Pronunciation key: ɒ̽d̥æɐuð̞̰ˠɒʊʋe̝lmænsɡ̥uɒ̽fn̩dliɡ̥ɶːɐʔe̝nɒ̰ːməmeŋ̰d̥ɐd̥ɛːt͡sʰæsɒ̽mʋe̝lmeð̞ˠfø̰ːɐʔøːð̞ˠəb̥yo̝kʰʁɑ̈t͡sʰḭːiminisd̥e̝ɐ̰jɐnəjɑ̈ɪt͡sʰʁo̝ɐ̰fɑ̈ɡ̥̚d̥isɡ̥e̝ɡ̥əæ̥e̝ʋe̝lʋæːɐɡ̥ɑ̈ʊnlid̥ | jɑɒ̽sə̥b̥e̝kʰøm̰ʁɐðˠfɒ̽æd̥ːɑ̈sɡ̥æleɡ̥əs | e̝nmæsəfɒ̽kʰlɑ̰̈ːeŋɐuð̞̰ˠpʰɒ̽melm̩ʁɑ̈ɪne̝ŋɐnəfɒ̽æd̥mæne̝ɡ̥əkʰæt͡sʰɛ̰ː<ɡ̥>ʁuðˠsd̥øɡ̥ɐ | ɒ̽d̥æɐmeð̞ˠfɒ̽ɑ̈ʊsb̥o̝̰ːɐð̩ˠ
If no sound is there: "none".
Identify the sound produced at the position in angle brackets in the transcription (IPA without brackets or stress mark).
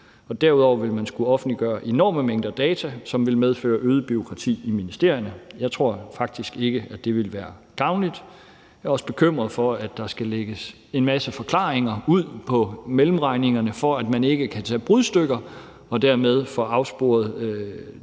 b̥